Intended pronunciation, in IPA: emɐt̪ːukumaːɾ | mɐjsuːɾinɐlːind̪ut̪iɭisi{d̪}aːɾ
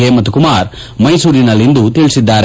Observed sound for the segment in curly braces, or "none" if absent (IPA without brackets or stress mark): d̪ː